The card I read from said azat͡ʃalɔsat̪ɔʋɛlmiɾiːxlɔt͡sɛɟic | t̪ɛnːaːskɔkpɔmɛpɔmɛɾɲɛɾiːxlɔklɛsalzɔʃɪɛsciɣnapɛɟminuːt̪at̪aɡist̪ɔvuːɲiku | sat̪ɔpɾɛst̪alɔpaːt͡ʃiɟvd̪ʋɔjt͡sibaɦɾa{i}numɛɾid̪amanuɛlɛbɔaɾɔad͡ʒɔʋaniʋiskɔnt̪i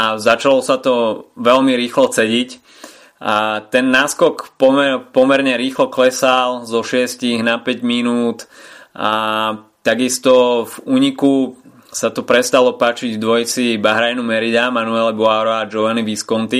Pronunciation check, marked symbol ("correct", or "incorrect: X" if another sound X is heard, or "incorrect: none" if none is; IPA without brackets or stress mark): incorrect: j